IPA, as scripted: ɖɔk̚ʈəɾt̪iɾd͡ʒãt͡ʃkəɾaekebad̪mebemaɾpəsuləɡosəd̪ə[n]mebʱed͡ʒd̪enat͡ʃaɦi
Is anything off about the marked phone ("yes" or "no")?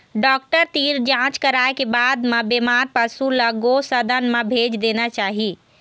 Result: no